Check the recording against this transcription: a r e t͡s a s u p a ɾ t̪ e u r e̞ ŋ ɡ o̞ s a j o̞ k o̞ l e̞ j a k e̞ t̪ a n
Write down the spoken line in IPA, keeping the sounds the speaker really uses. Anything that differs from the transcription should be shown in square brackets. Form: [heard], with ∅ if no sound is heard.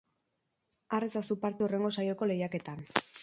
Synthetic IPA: a r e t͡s a s u p a ɾ t̪ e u r e̞ ŋ ɡ o̞ s a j o̞ k o̞ l e̞ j a k e̞ t̪ a n